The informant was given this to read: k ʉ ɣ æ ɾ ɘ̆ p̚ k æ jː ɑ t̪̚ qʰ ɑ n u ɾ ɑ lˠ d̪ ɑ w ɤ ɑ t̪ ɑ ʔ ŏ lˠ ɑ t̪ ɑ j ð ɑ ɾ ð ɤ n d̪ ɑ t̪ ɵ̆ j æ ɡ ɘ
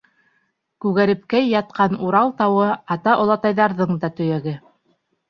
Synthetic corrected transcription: k ʉ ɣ æ ɾ ɘ̆ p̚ k æ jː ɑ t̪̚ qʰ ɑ n u ɾ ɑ lˠ t̪ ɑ w ɤ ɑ t̪ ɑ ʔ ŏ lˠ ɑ t̪ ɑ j ð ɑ ɾ ð ɤ ɴ d̪ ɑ t̪ ɵ̆ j æ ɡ ɘ

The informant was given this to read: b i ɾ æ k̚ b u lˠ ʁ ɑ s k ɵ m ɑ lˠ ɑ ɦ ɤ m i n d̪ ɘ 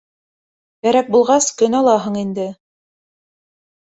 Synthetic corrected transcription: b æ ɾ æ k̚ b u lˠ ʁ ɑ s k ɵ n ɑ lˠ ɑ ɦ ɤ ɴ i n d̪ ɘ

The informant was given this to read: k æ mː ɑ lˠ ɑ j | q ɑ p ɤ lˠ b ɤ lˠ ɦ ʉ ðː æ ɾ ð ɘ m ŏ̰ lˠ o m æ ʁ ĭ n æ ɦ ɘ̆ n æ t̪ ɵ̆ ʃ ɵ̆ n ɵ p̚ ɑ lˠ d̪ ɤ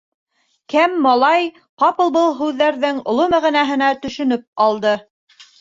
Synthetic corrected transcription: k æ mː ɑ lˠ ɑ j | q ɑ p ɤ lˠ b ɤ lˠ ɦ ʉ ðː æ ɾ ð ɘ ŋ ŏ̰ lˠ o m æ ʁ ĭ n æ ɦ ɘ̆ n æ t̪ ɵ̆ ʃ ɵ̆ n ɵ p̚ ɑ lˠ d̪ ɤ

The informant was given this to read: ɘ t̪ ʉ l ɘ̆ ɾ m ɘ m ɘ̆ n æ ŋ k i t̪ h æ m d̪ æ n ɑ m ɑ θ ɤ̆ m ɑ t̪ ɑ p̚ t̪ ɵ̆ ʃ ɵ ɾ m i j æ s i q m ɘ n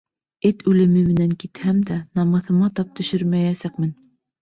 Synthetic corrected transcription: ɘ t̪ ʉ l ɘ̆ m ɘ m ɘ̆ n æ ŋ k i t̪ h æ m d̪ æ n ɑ m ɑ θ ɤ̆ m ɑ t̪ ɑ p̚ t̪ ɵ̆ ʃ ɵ ɾ m æ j æ s æ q m ɘ n

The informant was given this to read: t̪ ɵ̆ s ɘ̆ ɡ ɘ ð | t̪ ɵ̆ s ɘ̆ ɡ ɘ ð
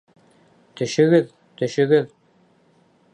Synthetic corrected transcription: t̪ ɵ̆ ʃ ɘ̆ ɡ ɘ ð | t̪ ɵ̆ ʃ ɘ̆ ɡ ɘ ð

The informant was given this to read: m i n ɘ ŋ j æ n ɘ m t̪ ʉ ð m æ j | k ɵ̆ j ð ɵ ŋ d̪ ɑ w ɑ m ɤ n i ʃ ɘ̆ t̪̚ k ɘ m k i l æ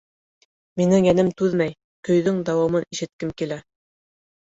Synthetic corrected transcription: m i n ɘ ŋ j æ n ɘ m t̪ ʉ ð m æ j | k ɵ̆ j ð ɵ ŋ d̪ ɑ w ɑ m ɤ n i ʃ ɘ̆ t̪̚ k ɘ m k i l æ

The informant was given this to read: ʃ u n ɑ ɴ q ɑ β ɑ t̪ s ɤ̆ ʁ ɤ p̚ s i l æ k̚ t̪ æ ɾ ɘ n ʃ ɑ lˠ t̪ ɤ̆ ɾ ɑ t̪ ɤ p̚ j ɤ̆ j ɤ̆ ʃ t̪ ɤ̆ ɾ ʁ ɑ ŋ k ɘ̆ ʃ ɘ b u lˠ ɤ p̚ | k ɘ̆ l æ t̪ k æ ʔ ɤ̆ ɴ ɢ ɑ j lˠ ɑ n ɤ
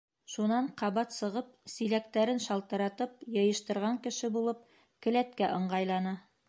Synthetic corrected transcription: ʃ u n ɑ ɴ q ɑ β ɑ t̪ s ɤ̆ ʁ ɤ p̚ s i l æ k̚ t̪ æ ɾ ɘ n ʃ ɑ lˠ t̪ ɤ̆ ɾ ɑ t̪ ɤ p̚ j ɤ̆ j ɤ̆ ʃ t̪ ɤ̆ ɾ ʁ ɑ ŋ k ɘ̆ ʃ ɘ b u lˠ ɤ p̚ | k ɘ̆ l æ t̪ k æ ʔ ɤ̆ ɴ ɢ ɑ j lˠ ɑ n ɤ

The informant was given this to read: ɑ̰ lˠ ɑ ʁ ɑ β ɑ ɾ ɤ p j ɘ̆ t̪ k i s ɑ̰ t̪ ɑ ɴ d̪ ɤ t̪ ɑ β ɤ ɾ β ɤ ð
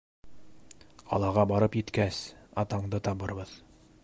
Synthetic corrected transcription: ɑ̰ lˠ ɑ ʁ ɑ b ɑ ɾ ɤ p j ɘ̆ t̪ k æ s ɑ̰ t̪ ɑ ɴ d̪ ɤ t̪ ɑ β ɤ ɾ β ɤ ð

